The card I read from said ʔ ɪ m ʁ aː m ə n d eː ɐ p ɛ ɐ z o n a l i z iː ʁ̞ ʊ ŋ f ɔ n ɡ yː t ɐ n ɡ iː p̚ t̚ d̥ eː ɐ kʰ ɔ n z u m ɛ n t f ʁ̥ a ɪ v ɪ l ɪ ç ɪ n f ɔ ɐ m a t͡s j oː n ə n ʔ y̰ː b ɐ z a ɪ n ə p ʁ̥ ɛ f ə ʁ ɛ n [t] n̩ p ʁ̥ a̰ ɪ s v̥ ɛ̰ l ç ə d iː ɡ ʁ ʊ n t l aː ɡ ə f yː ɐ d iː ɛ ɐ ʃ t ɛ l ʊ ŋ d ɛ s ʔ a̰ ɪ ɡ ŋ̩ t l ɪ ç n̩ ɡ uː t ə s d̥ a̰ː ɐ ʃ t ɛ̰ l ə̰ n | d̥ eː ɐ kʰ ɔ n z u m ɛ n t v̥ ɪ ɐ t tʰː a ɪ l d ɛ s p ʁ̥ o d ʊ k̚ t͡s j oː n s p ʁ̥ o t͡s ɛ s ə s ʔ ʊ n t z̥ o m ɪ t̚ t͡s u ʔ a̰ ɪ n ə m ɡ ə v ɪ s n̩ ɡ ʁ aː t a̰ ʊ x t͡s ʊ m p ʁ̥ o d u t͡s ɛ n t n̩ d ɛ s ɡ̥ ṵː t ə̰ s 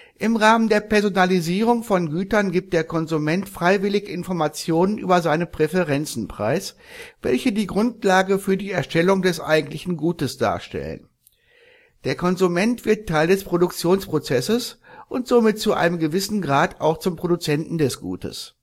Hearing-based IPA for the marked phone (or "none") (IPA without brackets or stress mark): t͡s